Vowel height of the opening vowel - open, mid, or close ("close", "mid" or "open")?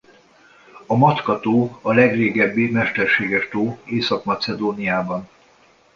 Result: open